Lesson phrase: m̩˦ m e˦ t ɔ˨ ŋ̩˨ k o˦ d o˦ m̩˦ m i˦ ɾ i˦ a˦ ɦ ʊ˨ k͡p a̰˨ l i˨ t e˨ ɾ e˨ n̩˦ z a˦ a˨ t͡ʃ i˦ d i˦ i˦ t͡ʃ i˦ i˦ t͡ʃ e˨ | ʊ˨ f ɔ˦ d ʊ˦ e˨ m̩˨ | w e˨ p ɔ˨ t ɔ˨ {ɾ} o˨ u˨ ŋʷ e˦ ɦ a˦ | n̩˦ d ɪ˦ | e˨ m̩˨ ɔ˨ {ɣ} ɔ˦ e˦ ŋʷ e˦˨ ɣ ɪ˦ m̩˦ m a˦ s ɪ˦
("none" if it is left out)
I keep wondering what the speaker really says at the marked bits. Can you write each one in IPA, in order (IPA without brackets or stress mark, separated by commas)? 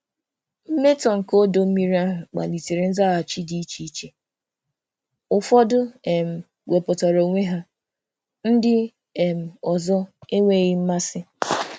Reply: ɾ, z